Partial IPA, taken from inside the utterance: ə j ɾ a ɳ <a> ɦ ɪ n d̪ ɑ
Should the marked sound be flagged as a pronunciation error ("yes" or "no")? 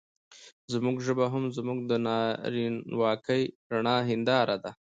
yes